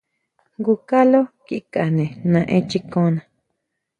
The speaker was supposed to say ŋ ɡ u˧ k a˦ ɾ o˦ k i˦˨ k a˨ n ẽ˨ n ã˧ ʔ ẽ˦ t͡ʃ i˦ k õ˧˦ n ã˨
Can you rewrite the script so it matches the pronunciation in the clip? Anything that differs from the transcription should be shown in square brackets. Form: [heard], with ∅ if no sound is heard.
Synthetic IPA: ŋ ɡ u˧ k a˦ [l] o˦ k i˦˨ k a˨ n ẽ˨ n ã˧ ʔ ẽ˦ t͡ʃ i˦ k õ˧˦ n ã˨